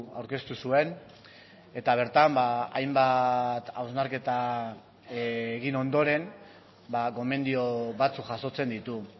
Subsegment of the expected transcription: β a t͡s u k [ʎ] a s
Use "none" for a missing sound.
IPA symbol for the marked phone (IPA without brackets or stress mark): ʝ